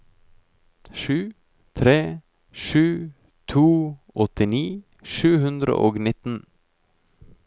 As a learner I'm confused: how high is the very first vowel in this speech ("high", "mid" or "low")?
high